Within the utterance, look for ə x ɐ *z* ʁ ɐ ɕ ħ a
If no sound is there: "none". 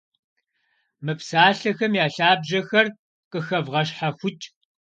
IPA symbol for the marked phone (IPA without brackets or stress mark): v